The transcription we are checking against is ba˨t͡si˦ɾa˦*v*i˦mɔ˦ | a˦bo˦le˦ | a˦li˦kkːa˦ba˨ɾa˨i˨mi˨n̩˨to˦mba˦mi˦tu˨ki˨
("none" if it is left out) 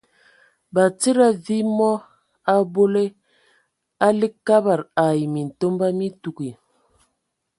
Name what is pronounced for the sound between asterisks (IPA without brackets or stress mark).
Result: v